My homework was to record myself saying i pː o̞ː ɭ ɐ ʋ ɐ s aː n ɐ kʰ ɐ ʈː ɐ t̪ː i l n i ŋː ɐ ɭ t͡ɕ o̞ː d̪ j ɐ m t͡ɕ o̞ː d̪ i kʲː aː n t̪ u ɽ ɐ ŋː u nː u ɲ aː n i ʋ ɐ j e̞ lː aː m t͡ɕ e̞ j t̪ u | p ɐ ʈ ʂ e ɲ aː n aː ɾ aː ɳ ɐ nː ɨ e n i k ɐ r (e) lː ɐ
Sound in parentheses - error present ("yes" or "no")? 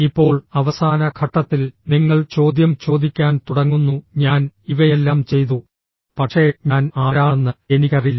yes